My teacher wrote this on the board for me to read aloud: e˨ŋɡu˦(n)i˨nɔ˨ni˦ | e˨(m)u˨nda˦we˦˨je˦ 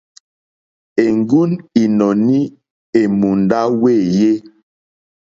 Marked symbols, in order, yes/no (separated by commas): yes, yes